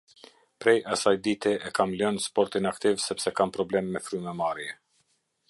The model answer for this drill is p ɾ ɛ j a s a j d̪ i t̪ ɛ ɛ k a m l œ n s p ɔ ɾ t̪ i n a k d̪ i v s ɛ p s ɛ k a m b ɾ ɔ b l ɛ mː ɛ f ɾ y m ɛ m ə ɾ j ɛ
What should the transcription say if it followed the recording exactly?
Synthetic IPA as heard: p ɾ ɛ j a s a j d̪ i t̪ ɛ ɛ k a m l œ n s p ɔ ɾ t̪ i n a k t̪ i v s ɛ p s ɛ k a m p ɾ ɔ b l ɛ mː ɛ f ɾ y m ɛ m a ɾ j ɛ

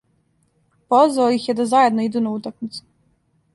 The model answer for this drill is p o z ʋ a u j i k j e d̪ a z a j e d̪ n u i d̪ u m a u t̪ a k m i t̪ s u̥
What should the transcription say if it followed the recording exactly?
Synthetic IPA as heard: p o z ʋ a o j i x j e d̪ a z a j e d̪ n o i d̪ u n a u t̪ a k m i t̪ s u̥

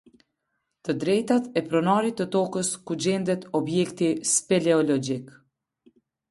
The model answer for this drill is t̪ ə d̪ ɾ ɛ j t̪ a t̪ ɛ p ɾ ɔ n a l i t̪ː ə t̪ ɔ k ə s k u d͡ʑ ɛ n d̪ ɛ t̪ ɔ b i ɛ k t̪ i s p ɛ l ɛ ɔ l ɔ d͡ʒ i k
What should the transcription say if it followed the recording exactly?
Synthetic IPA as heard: t̪ ə d̪ ɾ ɛ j t̪ a t̪ ɛ p ɾ ɔ n a ɾ i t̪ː ə t̪ ɔ k ə s k u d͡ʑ ɛ n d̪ ɛ t̪ ɔ b j ɛ k t̪ i s p ɛ l ɛ ɔ l ɔ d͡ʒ i k

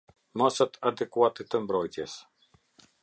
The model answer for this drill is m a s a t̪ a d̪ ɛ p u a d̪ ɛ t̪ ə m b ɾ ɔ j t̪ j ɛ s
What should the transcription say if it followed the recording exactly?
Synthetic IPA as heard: m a s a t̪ a d̪ ɛ k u a t̪ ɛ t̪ ə m b ɾ ɔ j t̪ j ɛ s

